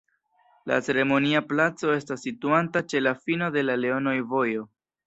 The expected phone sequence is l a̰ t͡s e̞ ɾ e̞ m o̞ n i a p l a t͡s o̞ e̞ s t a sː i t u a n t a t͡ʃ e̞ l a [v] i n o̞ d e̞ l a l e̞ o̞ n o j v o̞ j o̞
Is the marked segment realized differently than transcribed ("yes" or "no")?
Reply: yes